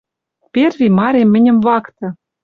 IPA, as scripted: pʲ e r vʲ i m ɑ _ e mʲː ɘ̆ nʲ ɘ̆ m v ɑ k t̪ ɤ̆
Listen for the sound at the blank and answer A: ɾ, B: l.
A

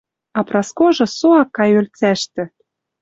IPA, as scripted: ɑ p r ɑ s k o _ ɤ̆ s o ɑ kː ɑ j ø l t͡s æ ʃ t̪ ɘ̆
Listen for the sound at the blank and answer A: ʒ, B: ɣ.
A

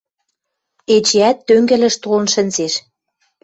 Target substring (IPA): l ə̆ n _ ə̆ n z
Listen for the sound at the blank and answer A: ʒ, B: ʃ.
B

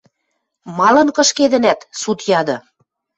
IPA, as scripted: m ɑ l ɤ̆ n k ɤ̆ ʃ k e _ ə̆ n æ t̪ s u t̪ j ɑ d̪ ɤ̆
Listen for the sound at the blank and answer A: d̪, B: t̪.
A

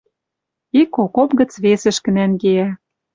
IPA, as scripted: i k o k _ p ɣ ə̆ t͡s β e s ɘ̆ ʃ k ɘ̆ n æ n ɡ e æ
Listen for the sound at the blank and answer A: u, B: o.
B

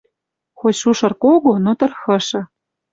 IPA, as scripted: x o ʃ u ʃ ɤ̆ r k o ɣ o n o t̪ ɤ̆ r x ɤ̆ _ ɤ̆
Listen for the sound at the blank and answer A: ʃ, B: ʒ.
A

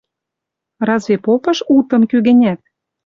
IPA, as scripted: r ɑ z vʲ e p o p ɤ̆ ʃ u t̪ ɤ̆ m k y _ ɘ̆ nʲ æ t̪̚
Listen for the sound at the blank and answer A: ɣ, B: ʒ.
A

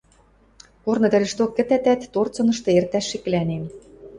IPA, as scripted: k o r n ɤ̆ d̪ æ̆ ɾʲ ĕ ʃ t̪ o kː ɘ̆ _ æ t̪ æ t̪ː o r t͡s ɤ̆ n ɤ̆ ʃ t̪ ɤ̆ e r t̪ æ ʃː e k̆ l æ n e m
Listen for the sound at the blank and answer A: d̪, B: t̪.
B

